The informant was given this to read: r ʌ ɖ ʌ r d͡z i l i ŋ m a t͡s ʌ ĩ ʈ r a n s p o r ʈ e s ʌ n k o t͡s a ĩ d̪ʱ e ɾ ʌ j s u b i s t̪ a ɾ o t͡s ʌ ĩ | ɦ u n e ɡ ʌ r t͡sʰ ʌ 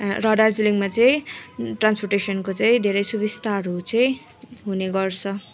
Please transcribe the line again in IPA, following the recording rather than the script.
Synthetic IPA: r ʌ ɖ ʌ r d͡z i l i ŋ m a t͡s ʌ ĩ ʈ r a n s p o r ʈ e s ʌ n k o t͡s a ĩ d̪ʱ e ɾ ʌ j s u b i s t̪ a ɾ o t͡s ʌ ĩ | ɦ u n e ɡ ʌ r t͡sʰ ʌ